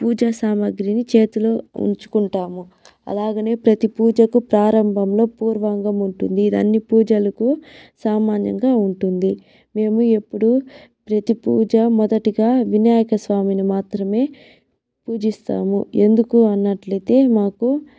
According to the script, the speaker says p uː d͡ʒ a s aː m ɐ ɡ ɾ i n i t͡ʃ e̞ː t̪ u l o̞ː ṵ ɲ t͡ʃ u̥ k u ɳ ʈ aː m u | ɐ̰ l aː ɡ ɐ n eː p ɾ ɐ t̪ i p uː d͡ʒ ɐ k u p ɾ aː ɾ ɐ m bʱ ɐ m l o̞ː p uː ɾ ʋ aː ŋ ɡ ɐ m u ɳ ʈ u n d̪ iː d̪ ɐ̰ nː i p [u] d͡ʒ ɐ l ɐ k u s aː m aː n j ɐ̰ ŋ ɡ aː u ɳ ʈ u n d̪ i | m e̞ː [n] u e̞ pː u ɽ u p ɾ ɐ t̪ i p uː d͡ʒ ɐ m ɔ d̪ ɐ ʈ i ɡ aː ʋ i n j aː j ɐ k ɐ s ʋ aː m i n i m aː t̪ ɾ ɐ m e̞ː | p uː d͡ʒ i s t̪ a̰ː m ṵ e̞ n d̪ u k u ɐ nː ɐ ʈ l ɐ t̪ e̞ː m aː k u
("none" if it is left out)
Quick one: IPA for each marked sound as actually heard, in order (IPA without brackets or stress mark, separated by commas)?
uː, m